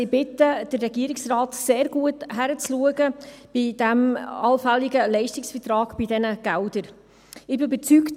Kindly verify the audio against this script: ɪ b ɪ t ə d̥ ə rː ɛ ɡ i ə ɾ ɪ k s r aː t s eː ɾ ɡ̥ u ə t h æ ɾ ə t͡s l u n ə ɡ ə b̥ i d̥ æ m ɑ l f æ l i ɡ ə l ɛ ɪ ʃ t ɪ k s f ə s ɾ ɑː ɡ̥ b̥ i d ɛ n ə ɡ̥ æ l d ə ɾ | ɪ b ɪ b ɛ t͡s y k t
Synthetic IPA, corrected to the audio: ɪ b ɪ t ə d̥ ə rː ɛ ɡ i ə ɾ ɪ k s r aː t s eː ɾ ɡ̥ u ə t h æ ɾ ə t͡s l u ə ɡ ə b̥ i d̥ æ m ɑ l f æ l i ɡ ə l ɛ ɪ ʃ t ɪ k s f ə t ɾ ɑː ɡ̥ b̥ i d ɛ n ə ɡ̥ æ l d ə ɾ | ɪ b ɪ b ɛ t͡s y k t